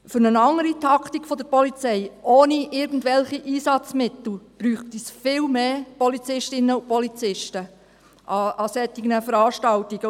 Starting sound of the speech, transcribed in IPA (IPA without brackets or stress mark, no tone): f